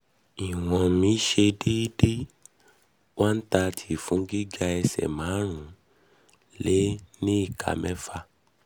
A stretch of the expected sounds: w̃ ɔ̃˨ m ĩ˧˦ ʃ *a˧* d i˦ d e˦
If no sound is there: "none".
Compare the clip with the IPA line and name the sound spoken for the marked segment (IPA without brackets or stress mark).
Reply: e˧